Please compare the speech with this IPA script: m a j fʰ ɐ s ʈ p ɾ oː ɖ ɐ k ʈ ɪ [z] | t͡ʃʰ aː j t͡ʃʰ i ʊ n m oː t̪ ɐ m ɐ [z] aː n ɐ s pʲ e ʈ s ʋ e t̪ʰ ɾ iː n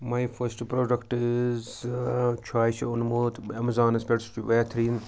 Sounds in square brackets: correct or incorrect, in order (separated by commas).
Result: correct, correct